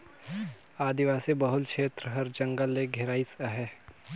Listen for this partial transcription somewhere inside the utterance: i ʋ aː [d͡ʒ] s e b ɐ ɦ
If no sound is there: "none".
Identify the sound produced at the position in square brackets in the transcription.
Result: none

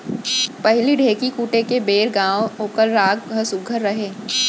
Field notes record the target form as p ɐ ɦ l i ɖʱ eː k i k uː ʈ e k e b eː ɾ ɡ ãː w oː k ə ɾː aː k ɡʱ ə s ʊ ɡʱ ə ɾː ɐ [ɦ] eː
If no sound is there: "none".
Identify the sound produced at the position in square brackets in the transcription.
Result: ɦ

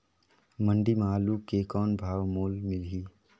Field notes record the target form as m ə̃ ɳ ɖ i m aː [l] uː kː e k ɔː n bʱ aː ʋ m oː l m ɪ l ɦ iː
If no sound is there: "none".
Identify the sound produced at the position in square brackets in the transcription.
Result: l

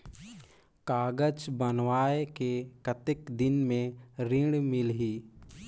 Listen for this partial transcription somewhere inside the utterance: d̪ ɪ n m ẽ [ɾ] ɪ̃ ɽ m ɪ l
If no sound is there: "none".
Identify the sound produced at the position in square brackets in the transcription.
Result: ɾ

